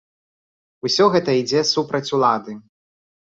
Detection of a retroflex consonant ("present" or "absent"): absent